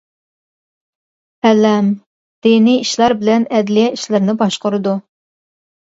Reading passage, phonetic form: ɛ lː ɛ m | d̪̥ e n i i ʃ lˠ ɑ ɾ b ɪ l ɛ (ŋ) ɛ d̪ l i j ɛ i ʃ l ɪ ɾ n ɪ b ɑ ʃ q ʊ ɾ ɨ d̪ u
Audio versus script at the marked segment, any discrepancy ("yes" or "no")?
yes